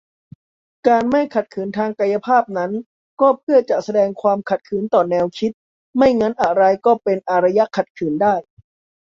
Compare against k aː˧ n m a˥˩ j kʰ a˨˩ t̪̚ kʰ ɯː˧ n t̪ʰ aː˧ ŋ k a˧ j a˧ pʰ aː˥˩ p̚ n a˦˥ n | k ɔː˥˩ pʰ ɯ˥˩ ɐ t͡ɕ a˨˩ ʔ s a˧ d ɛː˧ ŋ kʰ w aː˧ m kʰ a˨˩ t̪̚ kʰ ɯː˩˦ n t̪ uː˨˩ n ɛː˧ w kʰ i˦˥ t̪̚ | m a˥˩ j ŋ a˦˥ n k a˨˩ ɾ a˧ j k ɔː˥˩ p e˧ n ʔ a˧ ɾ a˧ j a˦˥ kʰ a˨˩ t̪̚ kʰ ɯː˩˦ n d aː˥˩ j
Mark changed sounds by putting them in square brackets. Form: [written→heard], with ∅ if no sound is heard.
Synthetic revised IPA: k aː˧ n m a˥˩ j kʰ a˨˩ t̪̚ kʰ [ɯː˧→ɯː˩˦] n t̪ʰ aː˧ ŋ k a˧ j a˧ pʰ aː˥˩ p̚ n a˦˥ n | k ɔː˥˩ pʰ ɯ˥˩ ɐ t͡ɕ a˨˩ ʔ s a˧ d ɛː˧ ŋ kʰ w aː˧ m kʰ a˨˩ t̪̚ kʰ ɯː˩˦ n t̪ [uː˨˩→ɔː˨˩] n ɛː˧ w kʰ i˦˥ t̪̚ | m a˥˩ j ŋ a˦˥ n [k→ʔ] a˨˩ ɾ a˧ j k ɔː˥˩ p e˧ n ʔ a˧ ɾ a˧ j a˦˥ kʰ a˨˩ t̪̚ kʰ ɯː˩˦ n d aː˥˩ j